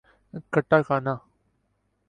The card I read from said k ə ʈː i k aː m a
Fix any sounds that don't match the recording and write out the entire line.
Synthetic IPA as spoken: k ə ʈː a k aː n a